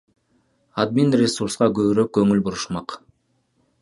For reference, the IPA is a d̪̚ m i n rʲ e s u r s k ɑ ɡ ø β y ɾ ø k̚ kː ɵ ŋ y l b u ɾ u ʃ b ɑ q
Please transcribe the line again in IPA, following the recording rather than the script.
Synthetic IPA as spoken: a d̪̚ m i n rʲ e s u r s q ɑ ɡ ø β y ɾ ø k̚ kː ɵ ŋ y l b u ɾ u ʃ m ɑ q

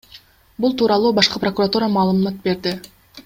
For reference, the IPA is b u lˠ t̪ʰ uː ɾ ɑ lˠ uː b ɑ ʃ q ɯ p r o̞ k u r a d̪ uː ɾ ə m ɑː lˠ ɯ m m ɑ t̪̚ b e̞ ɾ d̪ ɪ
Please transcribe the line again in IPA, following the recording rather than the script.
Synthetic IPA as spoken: b u lˠ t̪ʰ uː ɾ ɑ lˠ uː b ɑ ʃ q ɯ p r o̞ k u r a t̪ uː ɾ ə m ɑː lˠ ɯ m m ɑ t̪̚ b e̞ ɾ d̪ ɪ

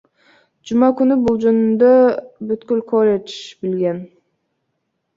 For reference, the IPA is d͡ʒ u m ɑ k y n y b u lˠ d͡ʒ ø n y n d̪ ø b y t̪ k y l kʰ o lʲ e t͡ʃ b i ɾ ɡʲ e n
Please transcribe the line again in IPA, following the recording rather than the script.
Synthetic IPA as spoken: d͡ʒ u m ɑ k y n y b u lˠ d͡ʒ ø n y n d̪ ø b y t̪ k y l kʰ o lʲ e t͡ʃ b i l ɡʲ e n

